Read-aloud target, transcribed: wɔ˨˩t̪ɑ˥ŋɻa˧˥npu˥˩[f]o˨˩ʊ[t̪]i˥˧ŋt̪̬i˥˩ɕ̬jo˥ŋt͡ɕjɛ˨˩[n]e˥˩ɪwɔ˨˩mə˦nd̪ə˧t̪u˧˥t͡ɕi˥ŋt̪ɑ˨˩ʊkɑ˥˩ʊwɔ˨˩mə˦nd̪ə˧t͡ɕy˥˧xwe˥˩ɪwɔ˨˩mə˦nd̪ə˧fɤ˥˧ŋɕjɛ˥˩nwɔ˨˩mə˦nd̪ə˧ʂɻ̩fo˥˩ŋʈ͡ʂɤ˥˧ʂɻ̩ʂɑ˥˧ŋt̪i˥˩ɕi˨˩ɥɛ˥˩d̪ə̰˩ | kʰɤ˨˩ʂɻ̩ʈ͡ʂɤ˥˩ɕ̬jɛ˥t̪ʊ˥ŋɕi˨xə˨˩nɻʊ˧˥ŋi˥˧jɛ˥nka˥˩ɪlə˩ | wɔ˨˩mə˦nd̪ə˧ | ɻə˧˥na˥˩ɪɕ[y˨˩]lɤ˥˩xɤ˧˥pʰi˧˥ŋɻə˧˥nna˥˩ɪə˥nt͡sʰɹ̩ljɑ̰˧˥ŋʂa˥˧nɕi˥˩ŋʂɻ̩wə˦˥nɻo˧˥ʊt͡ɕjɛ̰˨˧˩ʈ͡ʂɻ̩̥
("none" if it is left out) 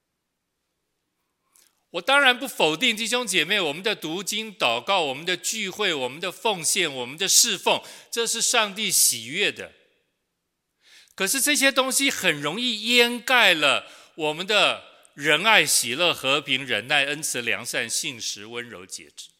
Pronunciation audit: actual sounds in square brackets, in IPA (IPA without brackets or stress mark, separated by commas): f, t̪, m, i˨˩